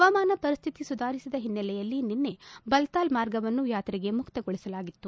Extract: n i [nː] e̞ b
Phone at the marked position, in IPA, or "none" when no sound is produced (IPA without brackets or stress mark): nː